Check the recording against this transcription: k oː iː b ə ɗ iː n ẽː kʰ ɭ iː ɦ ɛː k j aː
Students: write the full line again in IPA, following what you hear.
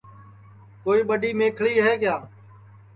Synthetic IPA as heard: k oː iː ɓ ə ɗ iː m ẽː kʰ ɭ iː ɦ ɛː k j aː